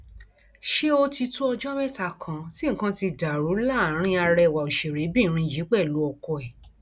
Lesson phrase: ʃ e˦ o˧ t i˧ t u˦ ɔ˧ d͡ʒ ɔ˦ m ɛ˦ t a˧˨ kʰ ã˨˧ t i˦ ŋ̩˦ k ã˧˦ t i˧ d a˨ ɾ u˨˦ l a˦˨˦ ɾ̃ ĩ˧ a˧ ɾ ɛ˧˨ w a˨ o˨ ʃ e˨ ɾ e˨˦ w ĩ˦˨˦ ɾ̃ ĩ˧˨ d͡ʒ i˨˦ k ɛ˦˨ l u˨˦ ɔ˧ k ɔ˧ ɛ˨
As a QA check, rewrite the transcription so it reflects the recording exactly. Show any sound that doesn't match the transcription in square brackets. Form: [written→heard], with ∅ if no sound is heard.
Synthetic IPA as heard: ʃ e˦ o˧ t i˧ t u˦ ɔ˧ d͡ʒ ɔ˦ m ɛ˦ t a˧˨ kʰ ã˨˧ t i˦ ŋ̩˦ k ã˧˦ t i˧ d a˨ ɾ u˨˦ l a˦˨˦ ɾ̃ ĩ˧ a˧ ɾ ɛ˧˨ w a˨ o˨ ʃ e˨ ɾ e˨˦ [w→b] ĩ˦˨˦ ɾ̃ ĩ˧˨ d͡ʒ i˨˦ [k→k͡p] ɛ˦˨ l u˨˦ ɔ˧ k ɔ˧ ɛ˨